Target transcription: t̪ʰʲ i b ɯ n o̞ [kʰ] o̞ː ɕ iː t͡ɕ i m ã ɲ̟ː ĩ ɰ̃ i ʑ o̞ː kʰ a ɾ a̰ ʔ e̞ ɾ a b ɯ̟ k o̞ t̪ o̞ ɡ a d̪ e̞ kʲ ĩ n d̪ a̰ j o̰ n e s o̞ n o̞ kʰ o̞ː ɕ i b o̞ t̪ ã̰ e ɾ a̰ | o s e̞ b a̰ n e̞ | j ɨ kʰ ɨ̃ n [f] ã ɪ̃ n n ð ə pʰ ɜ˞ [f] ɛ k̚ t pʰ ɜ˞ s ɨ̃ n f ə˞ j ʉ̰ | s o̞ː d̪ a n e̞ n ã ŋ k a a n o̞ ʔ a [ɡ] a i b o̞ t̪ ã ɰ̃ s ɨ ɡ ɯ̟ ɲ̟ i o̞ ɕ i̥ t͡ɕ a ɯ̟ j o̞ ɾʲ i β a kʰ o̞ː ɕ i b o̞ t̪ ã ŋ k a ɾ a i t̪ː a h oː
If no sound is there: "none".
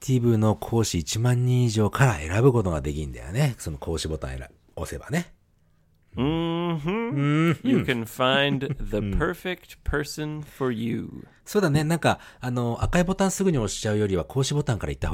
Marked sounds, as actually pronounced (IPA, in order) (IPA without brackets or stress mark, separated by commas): kʰ, f, f, k